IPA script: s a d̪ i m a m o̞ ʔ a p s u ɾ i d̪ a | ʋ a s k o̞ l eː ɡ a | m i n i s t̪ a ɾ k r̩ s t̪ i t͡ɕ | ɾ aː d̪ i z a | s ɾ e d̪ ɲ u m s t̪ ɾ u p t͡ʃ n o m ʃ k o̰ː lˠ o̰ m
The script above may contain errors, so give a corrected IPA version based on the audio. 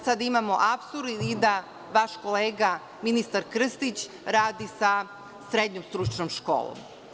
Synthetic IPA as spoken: s a d̪ i m a m o̞ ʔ a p s u ɾ i d̪ a | ʋ a ʃ k o̞ l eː ɡ a | m i n i s t̪ a ɾ k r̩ s t̪ i t͡ɕ | ɾ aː d̪ i s a | s ɾ e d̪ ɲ o m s t̪ ɾ u t͡ʃ n o m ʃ k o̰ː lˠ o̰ m